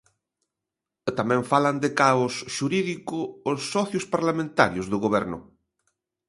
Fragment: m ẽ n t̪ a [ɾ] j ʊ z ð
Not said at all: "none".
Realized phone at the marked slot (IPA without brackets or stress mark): ɾ